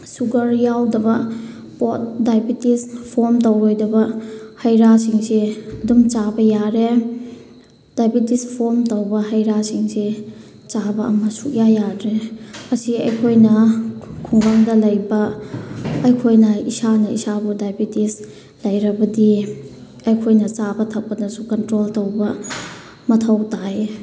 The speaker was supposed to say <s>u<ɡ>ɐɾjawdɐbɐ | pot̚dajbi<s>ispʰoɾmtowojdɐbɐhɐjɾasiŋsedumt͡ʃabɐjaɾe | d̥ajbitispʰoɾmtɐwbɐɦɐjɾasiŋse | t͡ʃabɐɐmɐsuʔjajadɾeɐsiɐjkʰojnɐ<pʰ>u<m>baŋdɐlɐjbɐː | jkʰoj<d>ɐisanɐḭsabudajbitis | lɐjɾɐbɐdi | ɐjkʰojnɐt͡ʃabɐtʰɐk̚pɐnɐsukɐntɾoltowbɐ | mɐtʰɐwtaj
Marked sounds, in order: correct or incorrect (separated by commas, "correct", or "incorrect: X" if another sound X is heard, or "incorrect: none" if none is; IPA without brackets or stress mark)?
correct, correct, incorrect: t, incorrect: kʰ, incorrect: ŋ, incorrect: n